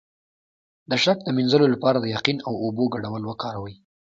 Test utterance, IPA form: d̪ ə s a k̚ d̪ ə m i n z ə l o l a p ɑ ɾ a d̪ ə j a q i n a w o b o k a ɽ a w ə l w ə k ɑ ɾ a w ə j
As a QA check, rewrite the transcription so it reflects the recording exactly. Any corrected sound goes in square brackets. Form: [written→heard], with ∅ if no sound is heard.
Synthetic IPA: d̪ ə [s→ʃ] a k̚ d̪ ə m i n z ə l o l a p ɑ ɾ a d̪ ə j a q i n a w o b o [k→ɡ] a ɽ a w ə l w ə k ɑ ɾ a w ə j